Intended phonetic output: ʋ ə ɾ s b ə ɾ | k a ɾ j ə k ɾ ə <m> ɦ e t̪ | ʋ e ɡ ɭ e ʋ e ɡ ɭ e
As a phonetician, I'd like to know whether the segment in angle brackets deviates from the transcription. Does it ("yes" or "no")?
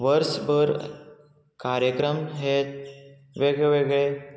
no